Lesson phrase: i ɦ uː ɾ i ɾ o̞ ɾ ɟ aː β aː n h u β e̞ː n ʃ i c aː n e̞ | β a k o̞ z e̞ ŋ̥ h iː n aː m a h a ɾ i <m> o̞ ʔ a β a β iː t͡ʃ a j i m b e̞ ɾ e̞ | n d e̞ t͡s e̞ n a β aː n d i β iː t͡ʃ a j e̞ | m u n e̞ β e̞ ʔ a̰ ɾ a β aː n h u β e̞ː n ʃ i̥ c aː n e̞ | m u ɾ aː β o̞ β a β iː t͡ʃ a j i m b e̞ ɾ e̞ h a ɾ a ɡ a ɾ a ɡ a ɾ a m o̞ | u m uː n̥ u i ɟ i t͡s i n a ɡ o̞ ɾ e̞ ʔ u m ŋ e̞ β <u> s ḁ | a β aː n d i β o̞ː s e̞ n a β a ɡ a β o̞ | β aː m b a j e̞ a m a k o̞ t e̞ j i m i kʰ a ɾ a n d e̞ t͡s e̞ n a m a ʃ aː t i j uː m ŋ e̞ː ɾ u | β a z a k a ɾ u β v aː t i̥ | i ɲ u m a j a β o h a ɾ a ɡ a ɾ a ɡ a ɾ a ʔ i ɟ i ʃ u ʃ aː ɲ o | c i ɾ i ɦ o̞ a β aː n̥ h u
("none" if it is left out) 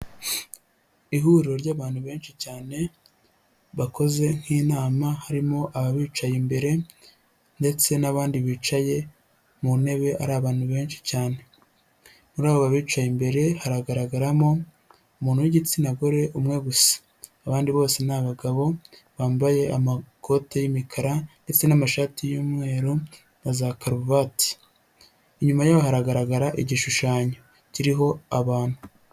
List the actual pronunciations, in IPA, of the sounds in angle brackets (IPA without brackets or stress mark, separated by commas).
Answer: m, u